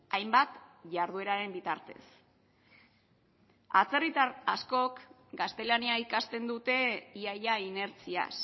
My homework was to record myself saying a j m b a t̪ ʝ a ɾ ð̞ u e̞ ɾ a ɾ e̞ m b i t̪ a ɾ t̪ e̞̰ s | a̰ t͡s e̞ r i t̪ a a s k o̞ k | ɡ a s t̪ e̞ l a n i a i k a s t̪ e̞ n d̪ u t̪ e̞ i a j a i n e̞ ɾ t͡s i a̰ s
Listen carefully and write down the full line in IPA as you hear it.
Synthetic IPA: a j m b a t̪ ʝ a ɾ ð̞ u e̞ ɾ a ɾ e̞ m b i t̪ a ɾ t̪ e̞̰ s | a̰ t͡s e̞ r i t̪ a a s k o̞ k | ɡ a s t̪ e̞ l a n i a i k a s t̪ e̞ n d̪ u t̪ e̞ i a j a i n e̞ ɾ t͡s i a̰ s